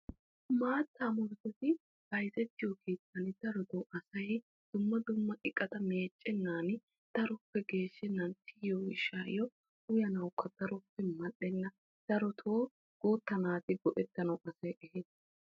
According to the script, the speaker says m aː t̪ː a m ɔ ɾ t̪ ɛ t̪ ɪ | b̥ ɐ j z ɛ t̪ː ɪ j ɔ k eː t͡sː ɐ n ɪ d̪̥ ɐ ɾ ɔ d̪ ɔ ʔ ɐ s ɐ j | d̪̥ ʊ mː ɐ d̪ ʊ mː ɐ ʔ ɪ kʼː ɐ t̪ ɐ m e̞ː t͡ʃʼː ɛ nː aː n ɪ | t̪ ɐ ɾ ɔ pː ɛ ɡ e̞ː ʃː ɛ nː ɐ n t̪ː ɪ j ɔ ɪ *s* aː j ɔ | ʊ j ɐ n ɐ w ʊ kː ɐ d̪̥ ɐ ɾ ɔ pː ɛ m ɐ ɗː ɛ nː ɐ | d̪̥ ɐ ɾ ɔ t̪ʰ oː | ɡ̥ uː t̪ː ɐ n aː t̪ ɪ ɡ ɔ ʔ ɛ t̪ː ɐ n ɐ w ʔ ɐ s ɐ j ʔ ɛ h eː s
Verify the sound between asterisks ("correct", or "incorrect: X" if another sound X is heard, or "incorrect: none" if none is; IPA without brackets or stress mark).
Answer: incorrect: ʃ